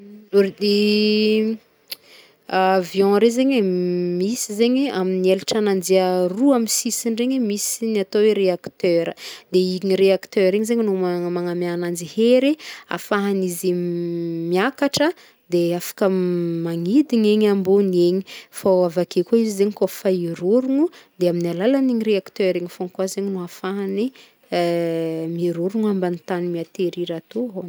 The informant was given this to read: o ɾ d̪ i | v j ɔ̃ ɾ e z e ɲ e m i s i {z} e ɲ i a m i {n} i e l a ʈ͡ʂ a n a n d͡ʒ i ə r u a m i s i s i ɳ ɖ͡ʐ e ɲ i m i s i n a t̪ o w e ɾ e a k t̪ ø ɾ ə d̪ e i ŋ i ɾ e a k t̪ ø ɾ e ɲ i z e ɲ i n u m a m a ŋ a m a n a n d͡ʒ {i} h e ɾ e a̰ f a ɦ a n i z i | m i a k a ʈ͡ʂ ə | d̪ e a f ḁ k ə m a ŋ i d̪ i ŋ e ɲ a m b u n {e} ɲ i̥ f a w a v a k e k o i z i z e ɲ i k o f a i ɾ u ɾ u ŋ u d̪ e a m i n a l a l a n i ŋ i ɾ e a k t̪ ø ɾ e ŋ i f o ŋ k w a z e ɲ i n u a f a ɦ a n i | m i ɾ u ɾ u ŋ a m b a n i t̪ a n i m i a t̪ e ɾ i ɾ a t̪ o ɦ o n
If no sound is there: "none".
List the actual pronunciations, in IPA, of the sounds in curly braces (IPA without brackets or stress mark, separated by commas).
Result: z, n, i, e